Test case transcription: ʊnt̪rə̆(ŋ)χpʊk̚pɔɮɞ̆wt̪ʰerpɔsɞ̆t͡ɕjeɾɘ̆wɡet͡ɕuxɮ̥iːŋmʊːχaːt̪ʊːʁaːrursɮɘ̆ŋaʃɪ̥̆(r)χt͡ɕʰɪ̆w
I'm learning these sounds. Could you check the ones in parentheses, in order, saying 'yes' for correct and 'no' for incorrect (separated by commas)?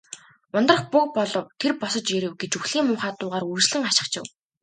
no, no